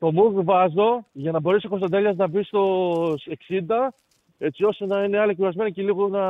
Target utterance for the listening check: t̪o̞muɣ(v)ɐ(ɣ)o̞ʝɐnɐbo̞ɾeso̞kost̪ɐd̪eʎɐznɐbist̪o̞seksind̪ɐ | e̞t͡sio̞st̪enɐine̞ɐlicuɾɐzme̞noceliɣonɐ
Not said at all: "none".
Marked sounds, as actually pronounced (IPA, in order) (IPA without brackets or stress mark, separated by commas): v, z